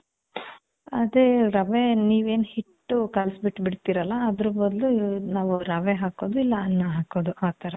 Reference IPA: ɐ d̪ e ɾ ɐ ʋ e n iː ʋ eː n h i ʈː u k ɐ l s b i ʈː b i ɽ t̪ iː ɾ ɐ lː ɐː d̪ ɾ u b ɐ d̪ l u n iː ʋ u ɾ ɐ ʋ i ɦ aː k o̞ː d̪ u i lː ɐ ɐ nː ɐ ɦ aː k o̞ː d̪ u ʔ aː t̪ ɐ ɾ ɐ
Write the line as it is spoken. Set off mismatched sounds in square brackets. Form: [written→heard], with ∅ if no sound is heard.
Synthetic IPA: ɐ d̪ e ɾ ɐ ʋ e n iː ʋ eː n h i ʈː u k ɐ l s b i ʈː b i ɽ t̪ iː ɾ ɐ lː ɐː d̪ ɾ u b ɐ d̪ l u n [iː→aː] ʋ u ɾ ɐ ʋ [i→e] ɦ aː k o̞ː d̪ u i lː ɐ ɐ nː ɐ ɦ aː k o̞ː d̪ u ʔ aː t̪ ɐ ɾ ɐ